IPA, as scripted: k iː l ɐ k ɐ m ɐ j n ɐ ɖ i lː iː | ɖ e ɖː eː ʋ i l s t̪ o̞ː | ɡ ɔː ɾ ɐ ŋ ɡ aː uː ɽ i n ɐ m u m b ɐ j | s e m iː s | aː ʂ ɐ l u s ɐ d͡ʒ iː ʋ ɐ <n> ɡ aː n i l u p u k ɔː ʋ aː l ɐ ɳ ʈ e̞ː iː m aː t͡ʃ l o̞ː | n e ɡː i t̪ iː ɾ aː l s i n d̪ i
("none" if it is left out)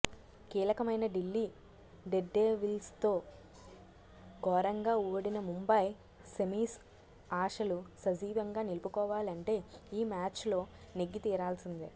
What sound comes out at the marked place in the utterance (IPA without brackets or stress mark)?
ŋ